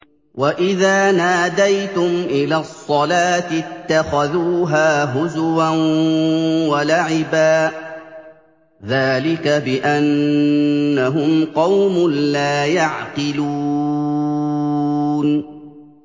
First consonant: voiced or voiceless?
voiced